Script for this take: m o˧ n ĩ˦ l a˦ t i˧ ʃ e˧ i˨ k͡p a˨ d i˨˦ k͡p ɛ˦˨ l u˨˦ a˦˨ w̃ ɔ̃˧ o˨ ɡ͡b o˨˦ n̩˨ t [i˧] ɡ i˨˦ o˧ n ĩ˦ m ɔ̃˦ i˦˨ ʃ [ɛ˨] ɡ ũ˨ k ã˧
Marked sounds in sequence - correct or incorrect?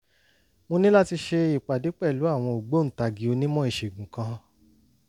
incorrect: a˧, incorrect: e˨

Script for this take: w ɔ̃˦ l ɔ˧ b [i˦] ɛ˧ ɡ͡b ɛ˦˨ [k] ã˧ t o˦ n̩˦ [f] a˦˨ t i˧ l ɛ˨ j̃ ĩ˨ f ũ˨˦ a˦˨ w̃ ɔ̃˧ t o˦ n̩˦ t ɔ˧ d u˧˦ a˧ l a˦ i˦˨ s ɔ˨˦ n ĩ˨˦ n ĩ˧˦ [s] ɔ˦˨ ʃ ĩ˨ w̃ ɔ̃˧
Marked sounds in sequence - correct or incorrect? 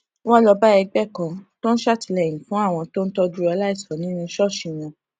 incorrect: a˦, correct, incorrect: ʃ, incorrect: ʃ

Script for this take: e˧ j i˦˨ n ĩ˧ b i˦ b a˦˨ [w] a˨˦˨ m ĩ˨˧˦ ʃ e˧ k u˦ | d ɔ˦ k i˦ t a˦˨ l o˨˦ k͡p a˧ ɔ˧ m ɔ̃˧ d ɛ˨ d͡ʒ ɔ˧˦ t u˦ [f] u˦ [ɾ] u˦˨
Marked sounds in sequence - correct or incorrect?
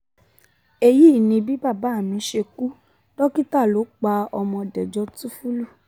incorrect: b, correct, incorrect: l

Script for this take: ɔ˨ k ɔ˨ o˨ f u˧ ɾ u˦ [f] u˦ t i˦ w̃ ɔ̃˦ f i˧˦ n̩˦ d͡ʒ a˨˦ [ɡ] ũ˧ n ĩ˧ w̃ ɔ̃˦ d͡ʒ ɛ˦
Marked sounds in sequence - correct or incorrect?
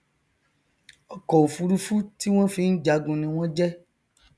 correct, correct

